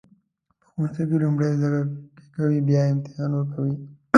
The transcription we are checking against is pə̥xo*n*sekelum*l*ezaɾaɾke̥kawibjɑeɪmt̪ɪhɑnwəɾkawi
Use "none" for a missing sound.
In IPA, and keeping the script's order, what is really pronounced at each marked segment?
n, ɽ

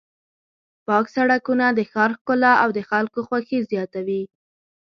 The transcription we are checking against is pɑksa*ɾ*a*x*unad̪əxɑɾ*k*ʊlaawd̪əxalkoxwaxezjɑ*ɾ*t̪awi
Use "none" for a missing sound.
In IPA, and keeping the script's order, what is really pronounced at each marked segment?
ɽ, k, k, none

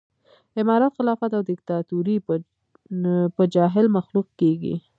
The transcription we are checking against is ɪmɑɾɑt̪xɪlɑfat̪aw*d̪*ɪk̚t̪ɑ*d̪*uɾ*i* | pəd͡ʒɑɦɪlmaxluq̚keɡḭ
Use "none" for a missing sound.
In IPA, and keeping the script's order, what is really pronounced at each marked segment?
d̪, t̪, i

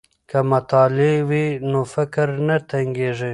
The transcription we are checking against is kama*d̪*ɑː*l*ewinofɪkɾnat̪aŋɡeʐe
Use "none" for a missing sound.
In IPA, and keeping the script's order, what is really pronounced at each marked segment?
t̪, l

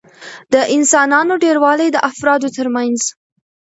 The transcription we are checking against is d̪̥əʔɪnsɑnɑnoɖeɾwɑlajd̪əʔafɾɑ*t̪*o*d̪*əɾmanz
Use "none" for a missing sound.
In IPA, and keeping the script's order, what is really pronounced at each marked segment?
d̪, t̪

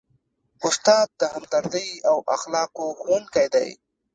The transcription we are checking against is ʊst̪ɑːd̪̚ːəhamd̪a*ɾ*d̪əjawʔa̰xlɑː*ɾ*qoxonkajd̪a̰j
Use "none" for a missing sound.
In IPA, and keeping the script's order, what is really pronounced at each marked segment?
ɾ, none

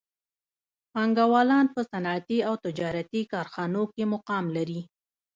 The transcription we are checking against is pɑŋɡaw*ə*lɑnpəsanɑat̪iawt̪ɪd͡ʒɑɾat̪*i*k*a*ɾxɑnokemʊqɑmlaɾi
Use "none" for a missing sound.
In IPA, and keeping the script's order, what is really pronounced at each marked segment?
ɑ, i, ɑ

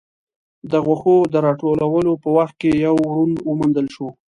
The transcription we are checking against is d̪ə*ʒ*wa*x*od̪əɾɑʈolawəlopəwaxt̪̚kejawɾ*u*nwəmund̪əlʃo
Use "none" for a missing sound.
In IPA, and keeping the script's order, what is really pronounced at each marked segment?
ɣ, x, u

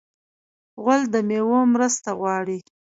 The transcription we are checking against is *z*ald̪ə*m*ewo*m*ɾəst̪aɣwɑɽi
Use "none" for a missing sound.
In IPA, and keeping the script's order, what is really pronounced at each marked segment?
ɣ, m, m

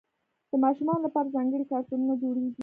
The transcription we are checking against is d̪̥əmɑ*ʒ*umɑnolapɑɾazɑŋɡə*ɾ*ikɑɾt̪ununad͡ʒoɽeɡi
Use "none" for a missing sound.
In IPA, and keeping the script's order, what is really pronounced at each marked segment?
ʃ, ɽ

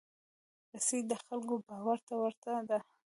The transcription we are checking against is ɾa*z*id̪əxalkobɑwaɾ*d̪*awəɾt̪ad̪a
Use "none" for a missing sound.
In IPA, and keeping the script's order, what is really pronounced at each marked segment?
s, t̪

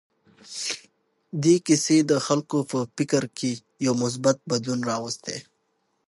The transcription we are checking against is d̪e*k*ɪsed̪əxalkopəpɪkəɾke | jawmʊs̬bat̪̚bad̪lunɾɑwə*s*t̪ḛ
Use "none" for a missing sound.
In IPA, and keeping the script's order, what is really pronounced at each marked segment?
k, s

